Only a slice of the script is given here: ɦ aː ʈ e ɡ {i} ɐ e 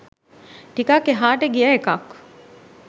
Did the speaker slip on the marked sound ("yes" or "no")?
no